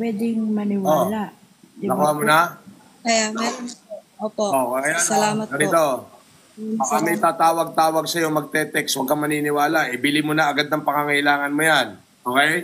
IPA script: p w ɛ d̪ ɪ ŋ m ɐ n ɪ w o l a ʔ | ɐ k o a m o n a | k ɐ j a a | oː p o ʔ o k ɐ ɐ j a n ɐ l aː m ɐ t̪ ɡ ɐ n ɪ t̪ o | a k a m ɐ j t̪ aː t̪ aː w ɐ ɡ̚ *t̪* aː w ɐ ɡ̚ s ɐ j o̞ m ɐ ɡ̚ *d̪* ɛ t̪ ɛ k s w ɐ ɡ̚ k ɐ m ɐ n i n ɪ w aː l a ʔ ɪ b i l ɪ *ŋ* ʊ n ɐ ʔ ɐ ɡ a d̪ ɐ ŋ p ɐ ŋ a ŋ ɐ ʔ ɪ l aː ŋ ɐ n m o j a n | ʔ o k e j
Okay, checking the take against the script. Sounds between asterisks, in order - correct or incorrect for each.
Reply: correct, incorrect: t̪, incorrect: m

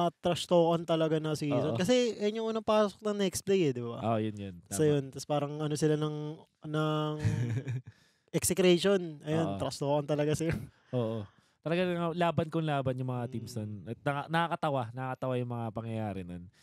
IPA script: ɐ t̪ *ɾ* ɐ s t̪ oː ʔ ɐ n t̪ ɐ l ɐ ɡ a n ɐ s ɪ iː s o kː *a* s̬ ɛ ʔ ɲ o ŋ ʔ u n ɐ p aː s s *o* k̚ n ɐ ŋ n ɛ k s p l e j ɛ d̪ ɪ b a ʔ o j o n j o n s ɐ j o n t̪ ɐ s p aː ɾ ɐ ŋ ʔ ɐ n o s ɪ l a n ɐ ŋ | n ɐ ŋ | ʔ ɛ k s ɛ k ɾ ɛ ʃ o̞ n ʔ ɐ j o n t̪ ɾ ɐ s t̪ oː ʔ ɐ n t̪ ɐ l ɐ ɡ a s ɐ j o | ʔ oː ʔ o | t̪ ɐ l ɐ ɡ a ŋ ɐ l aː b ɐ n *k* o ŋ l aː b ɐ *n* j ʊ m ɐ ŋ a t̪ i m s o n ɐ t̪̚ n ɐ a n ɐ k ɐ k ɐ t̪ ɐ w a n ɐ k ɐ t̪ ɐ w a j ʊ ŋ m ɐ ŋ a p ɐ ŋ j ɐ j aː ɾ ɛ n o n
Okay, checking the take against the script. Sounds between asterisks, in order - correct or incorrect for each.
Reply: correct, incorrect: ɐ, correct, correct, correct

